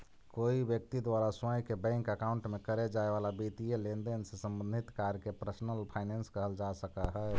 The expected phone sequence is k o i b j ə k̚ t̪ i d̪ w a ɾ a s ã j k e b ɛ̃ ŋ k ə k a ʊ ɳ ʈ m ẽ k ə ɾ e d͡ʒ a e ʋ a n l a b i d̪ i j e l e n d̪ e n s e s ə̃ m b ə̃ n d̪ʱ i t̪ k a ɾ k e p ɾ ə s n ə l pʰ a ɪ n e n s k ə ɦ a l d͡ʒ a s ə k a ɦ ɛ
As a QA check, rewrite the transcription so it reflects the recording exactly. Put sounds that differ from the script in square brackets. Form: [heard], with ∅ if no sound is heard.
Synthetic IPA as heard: k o i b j ə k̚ t̪ i d̪ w a ɾ a s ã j k e b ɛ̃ ŋ k ə k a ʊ ɳ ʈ m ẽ k ə ɾ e d͡ʒ a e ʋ a [∅] l a b i [t̪] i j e l e n d̪ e n s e s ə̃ m b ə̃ n d̪ʱ i t̪ k a ɾ k e p ɾ ə s n ə l pʰ a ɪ n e n s k ə ɦ [ə] l d͡ʒ a s ə k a ɦ ɛ